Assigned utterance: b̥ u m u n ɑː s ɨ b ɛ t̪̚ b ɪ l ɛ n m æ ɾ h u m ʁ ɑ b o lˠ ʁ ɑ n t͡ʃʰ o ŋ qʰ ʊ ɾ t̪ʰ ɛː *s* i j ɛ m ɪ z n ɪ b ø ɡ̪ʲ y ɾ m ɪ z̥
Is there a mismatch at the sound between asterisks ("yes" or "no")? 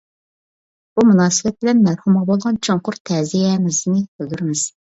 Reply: yes